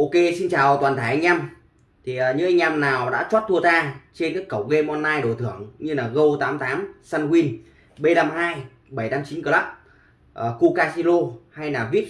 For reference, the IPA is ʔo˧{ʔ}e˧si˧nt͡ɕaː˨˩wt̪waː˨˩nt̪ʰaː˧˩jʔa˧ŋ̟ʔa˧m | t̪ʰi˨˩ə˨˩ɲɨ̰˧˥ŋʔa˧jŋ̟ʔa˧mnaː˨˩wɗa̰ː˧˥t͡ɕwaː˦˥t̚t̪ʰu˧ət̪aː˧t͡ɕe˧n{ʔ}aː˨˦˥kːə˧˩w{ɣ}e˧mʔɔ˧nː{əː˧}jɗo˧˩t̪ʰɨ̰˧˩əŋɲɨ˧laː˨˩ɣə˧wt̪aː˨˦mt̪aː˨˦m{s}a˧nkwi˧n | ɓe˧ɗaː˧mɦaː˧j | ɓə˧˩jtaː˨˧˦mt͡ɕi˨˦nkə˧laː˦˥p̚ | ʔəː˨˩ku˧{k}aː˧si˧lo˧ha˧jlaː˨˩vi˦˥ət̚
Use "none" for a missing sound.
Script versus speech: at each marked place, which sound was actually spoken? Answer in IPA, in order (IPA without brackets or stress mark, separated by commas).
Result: k, k, ɣ, aː˧, s, k